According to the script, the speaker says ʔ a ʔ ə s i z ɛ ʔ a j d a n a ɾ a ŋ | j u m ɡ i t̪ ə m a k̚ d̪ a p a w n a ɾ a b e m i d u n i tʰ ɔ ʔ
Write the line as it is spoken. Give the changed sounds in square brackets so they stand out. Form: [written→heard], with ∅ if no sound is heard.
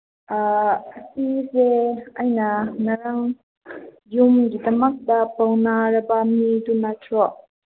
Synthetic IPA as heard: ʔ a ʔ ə s i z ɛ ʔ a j [d→n] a n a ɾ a ŋ | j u m ɡ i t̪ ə m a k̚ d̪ a p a w n a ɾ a b [e→a] m i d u n [i→a] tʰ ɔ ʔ